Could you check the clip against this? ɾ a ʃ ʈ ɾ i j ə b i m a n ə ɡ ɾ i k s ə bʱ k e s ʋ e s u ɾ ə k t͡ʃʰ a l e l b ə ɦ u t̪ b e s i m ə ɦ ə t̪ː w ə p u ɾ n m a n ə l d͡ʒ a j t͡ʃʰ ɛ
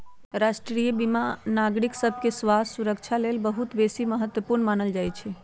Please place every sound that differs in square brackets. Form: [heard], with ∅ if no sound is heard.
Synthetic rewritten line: ɾ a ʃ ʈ ɾ i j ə b i m a n [a] ɡ ɾ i k s ə bʱ k e s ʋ [a] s u ɾ ə k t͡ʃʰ a l e l b ə ɦ u t̪ b e s i m ə ɦ ə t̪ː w ə p u ɾ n m a n ə l d͡ʒ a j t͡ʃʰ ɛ